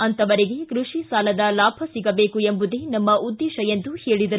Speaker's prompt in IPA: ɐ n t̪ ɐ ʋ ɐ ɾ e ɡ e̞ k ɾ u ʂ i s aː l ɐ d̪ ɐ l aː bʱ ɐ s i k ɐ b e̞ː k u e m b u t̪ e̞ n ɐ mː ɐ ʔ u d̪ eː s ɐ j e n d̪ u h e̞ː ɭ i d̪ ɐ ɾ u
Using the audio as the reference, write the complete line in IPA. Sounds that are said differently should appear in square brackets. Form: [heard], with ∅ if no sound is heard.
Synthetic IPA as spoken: ɐ n t̪ ɐ ʋ ɐ ɾ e ɡ e̞ k ɾ u ʂ i s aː l ɐ d̪ ɐ l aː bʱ ɐ s i [ɡ] ɐ b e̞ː k u e m b u [d̪] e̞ n ɐ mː ɐ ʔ u [d̪ː] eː [ʃ] ɐ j e n d̪ u h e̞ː ɭ i d̪ ɐ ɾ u